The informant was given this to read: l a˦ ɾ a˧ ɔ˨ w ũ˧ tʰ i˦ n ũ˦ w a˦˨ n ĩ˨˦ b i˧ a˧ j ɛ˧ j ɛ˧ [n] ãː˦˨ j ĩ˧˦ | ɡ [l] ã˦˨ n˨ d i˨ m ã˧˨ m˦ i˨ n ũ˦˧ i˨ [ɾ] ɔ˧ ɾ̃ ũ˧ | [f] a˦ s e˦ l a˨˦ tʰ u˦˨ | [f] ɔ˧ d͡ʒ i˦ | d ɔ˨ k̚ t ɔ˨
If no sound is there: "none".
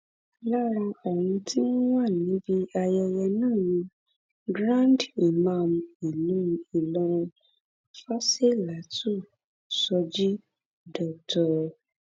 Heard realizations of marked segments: n, ɾ, l, f, s

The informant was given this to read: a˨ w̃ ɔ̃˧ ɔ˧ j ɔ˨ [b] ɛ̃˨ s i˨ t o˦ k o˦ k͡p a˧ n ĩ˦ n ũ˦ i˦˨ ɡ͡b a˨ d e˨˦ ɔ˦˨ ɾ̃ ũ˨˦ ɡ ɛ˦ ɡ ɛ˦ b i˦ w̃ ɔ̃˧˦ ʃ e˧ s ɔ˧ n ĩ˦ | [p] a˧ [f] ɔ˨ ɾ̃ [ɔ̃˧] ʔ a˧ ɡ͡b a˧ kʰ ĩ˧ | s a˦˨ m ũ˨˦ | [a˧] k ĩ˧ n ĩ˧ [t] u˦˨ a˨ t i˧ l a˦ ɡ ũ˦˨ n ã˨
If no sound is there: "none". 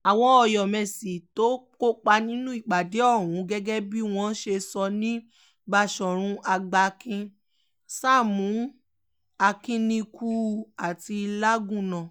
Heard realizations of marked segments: m, b, ʃ, ũ˧, a˧, k

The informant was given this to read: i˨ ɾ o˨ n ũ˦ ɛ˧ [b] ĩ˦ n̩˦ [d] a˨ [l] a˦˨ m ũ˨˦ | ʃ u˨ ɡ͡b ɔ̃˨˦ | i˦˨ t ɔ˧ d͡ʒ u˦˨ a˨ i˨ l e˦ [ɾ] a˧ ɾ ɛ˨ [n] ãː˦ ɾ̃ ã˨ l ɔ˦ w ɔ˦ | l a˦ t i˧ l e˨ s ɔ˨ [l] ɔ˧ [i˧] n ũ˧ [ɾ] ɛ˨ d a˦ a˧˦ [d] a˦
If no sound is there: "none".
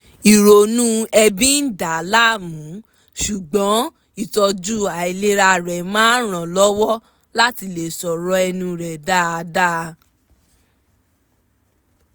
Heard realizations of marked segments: b, d, l, ɾ, m, ɾ, ɛ˧, ɾ, d

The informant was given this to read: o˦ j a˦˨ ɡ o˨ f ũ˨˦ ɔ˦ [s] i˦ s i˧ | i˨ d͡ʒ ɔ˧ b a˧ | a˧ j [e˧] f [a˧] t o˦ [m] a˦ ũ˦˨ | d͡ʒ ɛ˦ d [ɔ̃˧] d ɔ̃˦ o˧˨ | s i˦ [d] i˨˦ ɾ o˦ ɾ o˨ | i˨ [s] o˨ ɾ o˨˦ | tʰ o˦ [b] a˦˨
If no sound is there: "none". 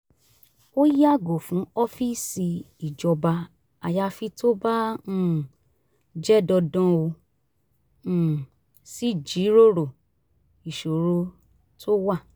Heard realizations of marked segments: f, a˧, i˧, b, ɔ˧, d͡ʒ, ʃ, w

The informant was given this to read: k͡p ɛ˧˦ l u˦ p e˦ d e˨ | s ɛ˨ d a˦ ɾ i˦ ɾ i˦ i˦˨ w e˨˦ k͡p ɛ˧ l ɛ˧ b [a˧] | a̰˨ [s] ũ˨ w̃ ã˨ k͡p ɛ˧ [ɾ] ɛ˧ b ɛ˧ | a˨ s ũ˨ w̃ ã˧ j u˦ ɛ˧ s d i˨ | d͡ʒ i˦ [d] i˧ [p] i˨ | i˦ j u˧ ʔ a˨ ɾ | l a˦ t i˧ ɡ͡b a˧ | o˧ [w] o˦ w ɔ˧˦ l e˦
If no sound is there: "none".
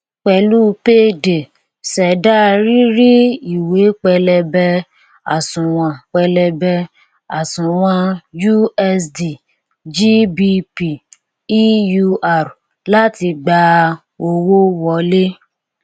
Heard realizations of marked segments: ɛ˧, s, l, b, p, w

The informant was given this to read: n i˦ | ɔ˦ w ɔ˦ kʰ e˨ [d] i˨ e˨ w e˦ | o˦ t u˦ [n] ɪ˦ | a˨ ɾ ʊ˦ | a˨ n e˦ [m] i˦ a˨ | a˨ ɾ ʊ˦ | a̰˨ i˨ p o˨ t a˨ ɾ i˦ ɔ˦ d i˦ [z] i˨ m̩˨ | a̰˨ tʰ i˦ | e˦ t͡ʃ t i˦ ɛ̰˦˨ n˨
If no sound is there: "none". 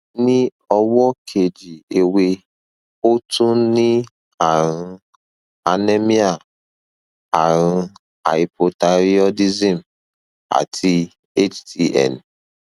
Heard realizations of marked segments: d͡ʒ, n, m, z

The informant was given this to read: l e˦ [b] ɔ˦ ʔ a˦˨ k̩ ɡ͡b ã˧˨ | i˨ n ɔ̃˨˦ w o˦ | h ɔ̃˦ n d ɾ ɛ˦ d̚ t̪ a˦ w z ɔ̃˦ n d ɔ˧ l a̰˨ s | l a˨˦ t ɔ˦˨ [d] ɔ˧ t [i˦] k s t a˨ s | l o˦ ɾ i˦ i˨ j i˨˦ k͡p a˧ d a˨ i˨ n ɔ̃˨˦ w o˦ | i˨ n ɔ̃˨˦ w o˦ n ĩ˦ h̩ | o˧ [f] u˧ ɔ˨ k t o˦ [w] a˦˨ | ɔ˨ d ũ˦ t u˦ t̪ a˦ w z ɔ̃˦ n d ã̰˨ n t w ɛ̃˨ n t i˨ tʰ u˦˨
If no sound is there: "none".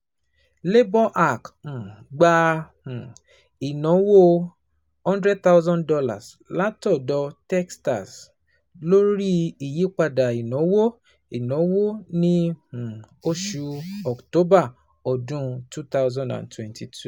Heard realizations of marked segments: b, d, ɛ˦, ʃ, b

